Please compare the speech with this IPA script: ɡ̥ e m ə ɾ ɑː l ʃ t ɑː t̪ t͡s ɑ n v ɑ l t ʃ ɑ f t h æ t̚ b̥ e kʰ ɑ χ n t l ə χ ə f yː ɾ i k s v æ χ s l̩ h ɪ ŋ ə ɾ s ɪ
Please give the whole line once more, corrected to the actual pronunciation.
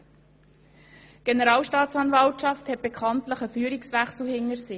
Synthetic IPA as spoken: ɡ̥ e n ə ɾ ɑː l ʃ t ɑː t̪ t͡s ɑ n v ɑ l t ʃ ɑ f t h ɛ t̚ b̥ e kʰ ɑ n t l ə χ ə f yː ɾ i k s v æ χ s l̩ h ɪ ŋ ə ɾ s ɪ